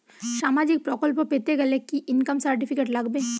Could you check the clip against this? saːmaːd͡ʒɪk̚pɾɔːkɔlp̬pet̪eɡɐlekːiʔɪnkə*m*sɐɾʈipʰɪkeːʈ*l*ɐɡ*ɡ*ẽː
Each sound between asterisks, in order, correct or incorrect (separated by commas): correct, correct, incorrect